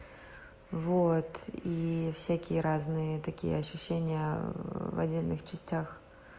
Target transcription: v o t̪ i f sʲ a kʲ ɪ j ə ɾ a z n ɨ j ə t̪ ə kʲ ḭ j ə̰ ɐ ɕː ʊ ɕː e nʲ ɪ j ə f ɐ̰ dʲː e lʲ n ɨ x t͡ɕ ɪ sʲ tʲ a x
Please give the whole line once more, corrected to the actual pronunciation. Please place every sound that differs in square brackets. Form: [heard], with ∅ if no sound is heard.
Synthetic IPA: v o t̪ i f sʲ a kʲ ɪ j ə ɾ a z n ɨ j ə t̪ [ɐ] kʲ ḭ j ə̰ ɐ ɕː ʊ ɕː e nʲ ɪ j ə [v] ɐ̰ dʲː e lʲ n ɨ x t͡ɕ ɪ sʲ tʲ a x